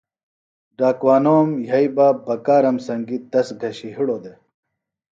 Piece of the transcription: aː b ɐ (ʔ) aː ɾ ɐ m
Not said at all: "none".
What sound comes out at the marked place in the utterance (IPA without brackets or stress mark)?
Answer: k